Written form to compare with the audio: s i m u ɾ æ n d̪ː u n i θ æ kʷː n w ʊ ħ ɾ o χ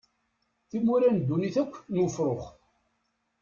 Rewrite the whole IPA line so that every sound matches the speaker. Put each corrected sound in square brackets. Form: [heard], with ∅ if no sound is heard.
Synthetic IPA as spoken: [θ] i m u ɾ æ n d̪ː u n i θ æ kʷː n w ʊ [f] ɾ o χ